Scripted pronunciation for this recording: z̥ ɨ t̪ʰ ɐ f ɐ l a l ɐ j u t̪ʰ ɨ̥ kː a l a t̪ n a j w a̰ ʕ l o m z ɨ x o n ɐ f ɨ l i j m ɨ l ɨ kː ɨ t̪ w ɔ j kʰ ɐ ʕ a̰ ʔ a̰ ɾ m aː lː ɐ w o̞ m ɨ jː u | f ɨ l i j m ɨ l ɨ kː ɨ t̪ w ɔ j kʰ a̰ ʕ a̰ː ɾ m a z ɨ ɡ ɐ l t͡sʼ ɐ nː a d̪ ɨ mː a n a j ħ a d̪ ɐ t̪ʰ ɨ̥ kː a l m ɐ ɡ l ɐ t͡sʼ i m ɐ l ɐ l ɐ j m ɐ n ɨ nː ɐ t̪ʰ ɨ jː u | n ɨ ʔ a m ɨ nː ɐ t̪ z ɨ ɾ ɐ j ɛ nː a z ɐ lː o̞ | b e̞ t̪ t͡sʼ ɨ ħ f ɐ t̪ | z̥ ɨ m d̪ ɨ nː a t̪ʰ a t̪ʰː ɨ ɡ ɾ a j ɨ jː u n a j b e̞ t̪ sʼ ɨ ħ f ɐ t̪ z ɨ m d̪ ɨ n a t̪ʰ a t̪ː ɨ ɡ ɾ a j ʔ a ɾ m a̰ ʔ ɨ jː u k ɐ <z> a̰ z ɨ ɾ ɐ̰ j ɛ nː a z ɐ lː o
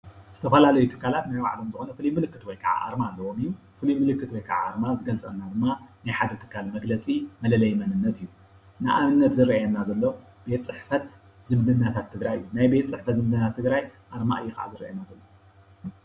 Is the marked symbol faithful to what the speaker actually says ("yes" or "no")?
no